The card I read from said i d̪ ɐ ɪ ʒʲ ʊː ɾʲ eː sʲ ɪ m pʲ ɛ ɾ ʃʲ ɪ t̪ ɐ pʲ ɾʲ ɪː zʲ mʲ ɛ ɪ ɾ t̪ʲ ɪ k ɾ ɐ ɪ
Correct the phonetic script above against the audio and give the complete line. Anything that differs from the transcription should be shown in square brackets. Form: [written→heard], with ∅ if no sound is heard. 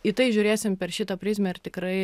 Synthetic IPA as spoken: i [d̪→t̪] ɐ ɪ ʒʲ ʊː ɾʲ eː sʲ ɪ m pʲ ɛ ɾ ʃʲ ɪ t̪ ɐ pʲ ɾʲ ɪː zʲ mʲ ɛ ɪ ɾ t̪ʲ ɪ k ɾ ɐ ɪ